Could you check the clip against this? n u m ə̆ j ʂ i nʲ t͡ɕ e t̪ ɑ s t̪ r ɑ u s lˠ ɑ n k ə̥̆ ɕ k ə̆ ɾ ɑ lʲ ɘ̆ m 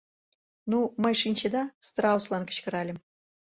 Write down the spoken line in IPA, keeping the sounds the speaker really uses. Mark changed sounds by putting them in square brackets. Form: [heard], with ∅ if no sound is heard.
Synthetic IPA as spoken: n u m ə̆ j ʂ i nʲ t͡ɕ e [d̪] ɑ s t̪ r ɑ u s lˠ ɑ n k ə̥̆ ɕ k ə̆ ɾ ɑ lʲ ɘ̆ m